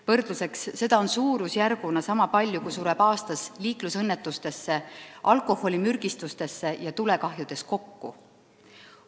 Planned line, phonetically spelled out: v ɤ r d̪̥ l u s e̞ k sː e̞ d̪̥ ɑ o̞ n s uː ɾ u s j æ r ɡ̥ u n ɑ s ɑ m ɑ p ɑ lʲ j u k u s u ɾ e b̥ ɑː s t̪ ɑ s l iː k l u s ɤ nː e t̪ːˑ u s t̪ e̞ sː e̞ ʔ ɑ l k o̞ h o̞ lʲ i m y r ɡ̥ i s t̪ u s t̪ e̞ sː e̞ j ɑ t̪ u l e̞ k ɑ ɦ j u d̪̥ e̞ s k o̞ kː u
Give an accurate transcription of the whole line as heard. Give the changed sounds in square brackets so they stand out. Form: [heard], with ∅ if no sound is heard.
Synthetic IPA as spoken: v ɤ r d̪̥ l u s e̞ k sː e̞ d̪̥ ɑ o̞ n s uː ɾ u s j æ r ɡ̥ u n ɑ s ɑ m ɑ p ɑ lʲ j u k u s u ɾ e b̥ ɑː s t̪ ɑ s l iː k l u s ɤ nː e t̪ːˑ u s t̪ e̞ sː e̞ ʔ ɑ l k o̞ h o̞ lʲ i m y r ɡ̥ i s t̪ u s t̪ e̞ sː e̞ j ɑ t̪ u l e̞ k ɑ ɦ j u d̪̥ e̞ s k o̞ kː u